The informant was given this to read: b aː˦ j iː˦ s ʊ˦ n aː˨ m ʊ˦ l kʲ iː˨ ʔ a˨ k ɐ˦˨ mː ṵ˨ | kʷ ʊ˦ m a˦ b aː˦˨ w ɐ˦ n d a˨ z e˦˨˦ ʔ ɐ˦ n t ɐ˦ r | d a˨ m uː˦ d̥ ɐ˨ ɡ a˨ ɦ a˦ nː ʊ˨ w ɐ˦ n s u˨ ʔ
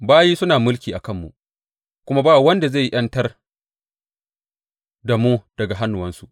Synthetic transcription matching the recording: b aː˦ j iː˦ s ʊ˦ n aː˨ m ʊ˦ l kʲ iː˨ ʔ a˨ k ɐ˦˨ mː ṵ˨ | kʷ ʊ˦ m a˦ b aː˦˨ w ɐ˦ n d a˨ z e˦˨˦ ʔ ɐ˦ n t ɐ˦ r | d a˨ m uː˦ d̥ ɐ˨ ɡ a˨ ɦ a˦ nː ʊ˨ w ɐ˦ n s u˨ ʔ